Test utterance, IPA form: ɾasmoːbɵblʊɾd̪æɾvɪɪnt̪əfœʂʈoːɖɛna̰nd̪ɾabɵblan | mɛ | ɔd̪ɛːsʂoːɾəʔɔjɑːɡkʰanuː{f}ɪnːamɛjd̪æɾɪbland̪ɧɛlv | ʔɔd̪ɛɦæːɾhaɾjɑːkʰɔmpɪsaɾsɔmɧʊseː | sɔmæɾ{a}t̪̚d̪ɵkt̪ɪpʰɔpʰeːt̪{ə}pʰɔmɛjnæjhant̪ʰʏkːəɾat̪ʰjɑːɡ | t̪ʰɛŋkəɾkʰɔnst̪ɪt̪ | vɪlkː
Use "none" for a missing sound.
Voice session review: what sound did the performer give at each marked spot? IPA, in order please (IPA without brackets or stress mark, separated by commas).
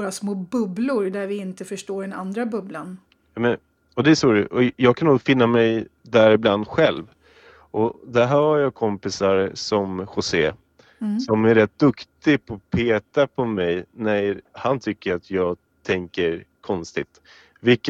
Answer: f, ɛ, a